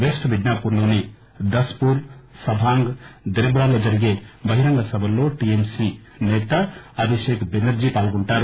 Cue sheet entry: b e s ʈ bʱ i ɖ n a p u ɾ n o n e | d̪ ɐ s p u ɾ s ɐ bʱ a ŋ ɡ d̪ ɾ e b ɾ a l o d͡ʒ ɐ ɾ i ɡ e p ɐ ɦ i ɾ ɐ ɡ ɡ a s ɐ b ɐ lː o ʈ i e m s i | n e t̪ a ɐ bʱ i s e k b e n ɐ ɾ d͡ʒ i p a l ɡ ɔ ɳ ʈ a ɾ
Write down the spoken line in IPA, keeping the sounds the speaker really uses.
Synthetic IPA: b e s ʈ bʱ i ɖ n a p u ɾ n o n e | d̪ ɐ s p u ɾ s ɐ bʱ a ŋ ɡ d̪ ɾ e b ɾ a l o d͡ʒ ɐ ɾ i ɡ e b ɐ ɦ i ɾ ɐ ŋ ɡ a s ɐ b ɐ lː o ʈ i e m s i | n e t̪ a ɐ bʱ i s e k b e n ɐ ɾ d͡ʒ i p a l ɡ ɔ ɳ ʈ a ɾ

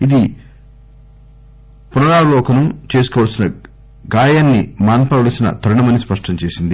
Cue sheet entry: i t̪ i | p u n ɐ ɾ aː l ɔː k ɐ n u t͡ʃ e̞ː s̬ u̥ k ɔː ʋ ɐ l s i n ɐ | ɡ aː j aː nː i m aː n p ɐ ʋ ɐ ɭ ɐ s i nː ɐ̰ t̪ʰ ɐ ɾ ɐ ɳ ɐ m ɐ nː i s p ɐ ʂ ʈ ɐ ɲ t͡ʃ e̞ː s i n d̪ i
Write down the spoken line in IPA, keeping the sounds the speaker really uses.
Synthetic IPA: i d̪ i | p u n ɐ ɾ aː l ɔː k ɐ n u t͡ʃ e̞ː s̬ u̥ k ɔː ʋ ɐ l s i n ɐ | ɡ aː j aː nː i m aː n p ɐ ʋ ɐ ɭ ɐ s i n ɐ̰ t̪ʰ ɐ ɾ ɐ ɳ ɐ m ɐ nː i s p ɐ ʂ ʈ ɐ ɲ t͡ʃ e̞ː s i n d̪ i

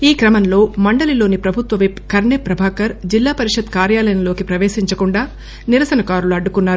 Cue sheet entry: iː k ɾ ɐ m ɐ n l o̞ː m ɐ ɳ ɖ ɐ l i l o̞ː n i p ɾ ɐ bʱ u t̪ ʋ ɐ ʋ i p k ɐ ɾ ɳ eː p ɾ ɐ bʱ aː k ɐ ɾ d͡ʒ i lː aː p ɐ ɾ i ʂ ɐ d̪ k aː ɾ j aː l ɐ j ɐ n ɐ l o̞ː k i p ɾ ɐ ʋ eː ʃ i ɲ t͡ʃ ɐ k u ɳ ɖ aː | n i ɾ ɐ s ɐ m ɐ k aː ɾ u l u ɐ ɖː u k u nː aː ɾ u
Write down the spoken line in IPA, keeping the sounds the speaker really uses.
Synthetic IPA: iː k ɾ ɐ m ɐ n l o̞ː m ɐ ɳ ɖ ɐ l i l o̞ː n i p ɾ ɐ bʱ u t̪ ʋ ɐ ʋ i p k ɐ ɾ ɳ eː p ɾ ɐ bʱ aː k ɐ ɾ d͡ʒ i lː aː p ɐ ɾ i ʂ ɐ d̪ k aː ɾ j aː l ɐ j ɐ n ɐ l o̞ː k i p ɾ ɐ ʋ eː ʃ i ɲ t͡ʃ ɐ k u ɳ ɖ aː | n i ɾ ɐ s ɐ n ɐ k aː ɾ u l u ɐ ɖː u k u nː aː ɾ u

